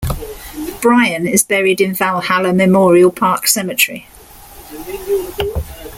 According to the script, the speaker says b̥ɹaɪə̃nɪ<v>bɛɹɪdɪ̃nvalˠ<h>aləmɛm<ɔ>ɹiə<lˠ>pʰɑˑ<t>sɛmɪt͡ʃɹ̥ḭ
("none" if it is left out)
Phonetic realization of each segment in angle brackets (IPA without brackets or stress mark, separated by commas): z, h, ɔː, lˠ, k